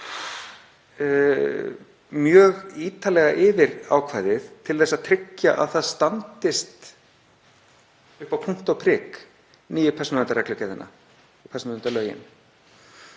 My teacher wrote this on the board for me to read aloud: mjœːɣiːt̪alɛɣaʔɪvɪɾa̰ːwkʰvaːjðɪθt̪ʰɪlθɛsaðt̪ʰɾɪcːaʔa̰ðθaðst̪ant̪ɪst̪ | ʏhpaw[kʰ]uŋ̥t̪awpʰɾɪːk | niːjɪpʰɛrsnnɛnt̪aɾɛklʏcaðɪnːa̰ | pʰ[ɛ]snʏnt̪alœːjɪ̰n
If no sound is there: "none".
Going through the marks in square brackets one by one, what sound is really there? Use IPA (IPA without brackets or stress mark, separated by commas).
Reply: pʰ, ɛ